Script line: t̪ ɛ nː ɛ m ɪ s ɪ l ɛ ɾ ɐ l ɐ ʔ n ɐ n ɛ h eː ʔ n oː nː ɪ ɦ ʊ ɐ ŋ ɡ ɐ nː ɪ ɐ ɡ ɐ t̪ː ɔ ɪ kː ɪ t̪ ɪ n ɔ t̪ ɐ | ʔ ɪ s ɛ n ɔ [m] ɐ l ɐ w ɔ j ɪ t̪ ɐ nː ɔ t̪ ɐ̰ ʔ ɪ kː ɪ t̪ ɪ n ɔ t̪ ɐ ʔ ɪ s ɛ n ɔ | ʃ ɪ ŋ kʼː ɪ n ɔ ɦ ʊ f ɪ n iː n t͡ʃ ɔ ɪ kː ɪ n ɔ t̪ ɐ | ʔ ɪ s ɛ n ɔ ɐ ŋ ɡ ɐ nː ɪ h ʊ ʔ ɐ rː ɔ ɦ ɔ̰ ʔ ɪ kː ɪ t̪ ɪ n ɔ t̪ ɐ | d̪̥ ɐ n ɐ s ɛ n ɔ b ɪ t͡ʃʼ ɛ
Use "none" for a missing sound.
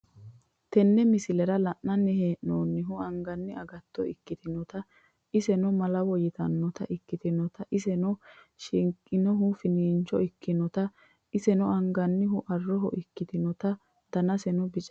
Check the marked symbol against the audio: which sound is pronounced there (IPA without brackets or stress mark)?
m